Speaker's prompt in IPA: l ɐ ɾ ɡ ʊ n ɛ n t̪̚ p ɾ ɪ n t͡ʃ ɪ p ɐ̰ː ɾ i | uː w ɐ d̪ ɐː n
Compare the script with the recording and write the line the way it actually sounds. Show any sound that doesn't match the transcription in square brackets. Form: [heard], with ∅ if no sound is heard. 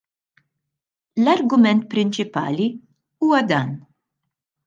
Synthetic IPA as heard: l ɐ ɾ ɡ ʊ [m] ɛ n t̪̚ p ɾ ɪ n t͡ʃ ɪ p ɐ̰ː [l] i | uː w ɐ d̪ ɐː n